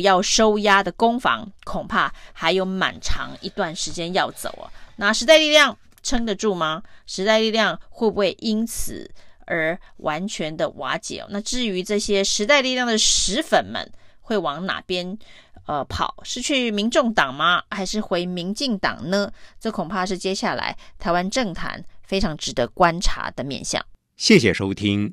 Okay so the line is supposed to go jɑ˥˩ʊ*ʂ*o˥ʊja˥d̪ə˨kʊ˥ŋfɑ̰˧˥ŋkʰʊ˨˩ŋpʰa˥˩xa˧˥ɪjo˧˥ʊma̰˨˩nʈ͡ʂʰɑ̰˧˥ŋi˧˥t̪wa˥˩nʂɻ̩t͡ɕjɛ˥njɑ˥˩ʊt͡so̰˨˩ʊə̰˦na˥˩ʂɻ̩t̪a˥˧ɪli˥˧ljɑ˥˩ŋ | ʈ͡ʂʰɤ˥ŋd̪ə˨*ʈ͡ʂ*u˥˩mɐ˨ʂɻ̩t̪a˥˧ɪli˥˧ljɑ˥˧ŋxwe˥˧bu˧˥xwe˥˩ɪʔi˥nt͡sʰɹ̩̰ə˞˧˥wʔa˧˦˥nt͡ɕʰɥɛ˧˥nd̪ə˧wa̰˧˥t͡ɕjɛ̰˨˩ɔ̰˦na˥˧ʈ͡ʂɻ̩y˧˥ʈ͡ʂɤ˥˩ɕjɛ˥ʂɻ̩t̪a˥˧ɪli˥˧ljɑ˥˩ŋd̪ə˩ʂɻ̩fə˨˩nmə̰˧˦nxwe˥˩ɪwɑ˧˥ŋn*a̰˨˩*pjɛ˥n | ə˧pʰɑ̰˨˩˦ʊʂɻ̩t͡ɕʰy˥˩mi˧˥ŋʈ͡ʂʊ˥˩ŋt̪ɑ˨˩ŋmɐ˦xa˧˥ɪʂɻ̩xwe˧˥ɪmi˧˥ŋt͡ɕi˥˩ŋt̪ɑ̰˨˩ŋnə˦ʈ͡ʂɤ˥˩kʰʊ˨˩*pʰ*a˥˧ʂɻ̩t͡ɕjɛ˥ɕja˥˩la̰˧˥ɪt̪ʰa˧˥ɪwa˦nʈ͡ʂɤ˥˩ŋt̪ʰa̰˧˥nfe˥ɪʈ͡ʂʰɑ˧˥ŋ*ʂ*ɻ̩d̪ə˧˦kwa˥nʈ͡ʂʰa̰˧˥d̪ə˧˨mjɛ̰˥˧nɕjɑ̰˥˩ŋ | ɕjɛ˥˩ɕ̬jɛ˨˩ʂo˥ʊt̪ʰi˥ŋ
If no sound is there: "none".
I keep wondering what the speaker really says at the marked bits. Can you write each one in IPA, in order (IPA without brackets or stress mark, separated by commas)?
ʂ, ʈ͡ʂ, a̰˨˩, pʰ, ʈ͡ʂ